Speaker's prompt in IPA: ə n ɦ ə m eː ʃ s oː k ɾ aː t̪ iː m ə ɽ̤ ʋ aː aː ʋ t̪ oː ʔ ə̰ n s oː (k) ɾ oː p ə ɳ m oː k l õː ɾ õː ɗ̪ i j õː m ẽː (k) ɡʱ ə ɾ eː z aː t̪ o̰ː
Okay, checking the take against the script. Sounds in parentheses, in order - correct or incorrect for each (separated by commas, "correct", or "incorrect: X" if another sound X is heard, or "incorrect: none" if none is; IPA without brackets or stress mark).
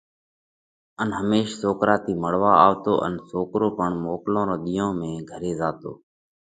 correct, incorrect: none